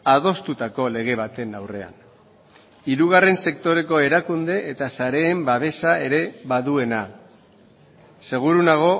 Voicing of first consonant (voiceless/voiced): voiced